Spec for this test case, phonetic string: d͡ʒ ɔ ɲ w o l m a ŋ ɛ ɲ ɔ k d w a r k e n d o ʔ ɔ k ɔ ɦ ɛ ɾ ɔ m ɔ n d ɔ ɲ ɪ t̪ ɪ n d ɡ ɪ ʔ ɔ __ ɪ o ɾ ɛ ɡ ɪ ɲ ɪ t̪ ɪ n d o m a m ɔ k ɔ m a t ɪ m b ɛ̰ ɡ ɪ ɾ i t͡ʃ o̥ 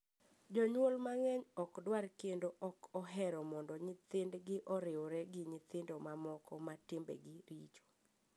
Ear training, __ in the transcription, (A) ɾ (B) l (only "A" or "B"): A